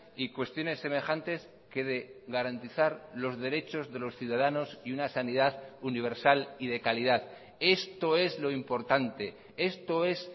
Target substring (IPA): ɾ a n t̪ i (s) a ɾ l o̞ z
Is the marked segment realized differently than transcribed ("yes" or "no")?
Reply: yes